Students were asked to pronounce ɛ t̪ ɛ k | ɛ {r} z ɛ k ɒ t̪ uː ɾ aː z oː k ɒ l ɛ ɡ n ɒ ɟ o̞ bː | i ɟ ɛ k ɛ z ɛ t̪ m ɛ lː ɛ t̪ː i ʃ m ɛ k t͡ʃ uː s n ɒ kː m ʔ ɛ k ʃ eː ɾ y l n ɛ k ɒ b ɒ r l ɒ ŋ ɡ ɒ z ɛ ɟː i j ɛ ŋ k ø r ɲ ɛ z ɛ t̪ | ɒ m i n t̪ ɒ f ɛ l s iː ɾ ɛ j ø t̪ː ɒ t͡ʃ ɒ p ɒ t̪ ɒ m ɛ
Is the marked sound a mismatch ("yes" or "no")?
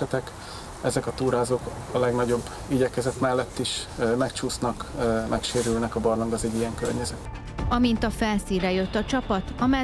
yes